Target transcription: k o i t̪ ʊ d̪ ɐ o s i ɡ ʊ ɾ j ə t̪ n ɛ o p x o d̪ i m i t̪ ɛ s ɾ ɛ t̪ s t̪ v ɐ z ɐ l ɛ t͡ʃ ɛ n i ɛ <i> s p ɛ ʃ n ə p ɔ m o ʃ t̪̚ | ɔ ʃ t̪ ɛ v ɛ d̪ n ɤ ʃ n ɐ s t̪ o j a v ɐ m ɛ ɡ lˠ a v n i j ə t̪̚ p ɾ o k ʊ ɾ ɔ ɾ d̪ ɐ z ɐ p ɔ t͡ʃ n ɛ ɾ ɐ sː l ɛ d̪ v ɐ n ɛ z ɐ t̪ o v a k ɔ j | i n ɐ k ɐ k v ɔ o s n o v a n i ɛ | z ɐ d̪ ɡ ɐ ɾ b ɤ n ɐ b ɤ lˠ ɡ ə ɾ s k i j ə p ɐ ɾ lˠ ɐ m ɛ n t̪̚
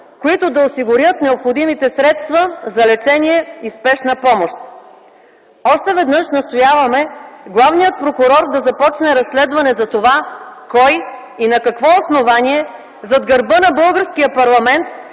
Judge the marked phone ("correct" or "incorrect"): correct